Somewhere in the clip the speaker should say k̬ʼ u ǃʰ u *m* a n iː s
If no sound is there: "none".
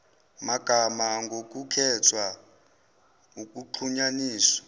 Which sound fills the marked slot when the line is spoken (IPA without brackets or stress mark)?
ɲ